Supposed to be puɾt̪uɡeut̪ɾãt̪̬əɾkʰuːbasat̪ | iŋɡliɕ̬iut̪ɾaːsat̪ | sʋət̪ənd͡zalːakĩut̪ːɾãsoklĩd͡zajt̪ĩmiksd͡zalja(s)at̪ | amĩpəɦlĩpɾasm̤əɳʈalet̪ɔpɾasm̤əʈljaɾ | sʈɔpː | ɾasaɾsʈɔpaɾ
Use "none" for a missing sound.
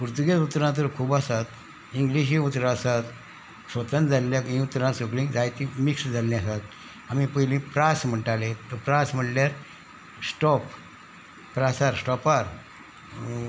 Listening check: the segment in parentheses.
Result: s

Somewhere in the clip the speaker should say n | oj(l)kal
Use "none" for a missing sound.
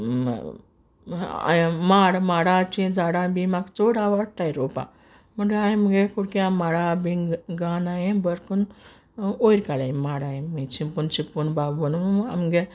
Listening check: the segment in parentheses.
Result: ɾ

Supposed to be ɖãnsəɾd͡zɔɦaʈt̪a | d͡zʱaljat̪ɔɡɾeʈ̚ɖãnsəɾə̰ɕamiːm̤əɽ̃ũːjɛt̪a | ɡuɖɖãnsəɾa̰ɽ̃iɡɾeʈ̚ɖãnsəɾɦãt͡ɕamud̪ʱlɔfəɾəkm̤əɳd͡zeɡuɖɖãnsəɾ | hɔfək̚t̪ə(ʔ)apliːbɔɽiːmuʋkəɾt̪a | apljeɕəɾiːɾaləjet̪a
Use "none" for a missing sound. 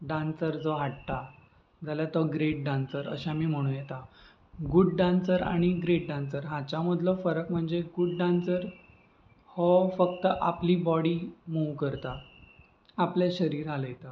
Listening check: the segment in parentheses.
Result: ʔ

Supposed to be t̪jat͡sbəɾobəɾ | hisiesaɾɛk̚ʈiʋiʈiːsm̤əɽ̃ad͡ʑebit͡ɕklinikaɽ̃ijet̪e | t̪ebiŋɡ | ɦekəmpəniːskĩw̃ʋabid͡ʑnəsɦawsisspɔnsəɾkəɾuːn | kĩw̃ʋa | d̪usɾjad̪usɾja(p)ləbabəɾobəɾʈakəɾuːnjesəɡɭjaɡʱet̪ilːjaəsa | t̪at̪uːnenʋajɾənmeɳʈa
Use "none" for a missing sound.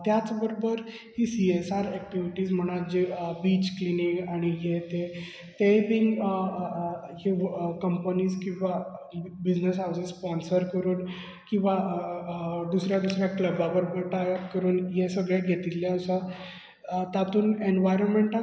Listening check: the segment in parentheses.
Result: k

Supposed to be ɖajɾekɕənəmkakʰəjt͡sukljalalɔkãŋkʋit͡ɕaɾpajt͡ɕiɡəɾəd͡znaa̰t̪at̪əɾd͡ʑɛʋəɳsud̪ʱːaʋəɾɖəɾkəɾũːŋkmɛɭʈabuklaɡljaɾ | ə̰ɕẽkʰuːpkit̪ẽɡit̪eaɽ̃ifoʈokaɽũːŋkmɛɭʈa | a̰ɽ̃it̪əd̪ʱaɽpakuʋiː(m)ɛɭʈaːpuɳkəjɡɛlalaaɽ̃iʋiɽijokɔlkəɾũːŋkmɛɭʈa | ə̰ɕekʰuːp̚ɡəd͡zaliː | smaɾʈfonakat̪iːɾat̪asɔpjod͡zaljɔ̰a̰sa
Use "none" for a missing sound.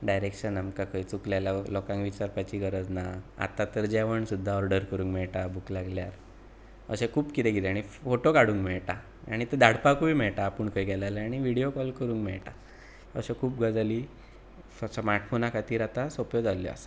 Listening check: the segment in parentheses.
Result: m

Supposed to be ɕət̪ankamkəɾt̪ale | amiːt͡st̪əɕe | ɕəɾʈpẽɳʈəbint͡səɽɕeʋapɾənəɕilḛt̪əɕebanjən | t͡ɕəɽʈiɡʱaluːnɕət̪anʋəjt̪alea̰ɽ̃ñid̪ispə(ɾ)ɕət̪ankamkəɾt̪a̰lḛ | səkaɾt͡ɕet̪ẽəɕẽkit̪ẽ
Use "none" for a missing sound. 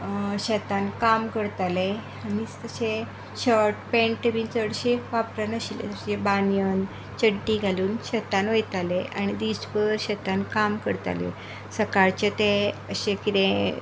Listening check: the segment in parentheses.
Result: ɾ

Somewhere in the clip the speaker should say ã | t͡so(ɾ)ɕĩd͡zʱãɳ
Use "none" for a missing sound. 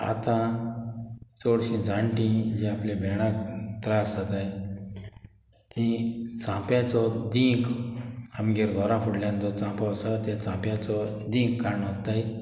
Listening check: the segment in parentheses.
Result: ɽ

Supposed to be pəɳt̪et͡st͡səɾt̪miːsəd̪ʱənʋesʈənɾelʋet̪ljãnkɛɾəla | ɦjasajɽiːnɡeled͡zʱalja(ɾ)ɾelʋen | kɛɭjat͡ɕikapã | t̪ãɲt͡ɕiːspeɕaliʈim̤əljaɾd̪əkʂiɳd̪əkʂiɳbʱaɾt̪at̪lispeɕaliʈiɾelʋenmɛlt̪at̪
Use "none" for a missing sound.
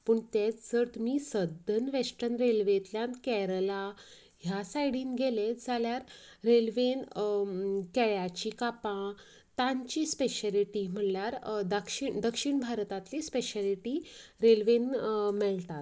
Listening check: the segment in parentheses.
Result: ɾ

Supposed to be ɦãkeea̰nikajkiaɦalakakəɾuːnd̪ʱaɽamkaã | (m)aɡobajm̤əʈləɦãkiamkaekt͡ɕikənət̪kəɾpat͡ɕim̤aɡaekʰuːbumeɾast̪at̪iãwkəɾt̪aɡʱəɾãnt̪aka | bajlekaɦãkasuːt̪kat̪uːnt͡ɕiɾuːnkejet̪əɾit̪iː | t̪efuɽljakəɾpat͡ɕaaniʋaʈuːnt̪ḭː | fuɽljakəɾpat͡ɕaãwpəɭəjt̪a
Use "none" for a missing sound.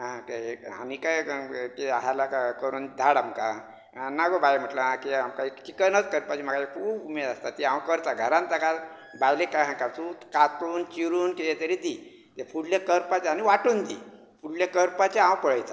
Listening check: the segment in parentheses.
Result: n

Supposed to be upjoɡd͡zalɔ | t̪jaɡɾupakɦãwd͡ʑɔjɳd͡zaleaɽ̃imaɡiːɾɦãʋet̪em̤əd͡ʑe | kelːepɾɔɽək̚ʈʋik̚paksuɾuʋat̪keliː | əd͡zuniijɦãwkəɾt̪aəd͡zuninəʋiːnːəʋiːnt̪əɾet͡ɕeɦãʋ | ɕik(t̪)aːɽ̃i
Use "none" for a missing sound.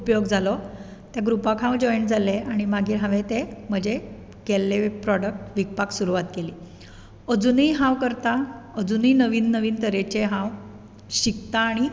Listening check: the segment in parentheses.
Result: t̪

